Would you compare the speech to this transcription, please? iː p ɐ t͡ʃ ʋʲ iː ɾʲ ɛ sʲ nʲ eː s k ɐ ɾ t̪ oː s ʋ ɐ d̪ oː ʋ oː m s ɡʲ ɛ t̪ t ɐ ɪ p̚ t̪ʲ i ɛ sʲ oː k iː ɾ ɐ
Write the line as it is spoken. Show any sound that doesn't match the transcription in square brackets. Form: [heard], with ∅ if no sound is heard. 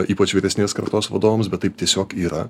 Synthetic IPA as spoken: iː p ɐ t͡ʃ ʋʲ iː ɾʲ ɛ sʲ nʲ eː s k ɐ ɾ t̪ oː s ʋ ɐ d̪ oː ʋ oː m s [bʲ] ɛ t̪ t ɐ ɪ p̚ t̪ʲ i ɛ sʲ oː k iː ɾ ɐ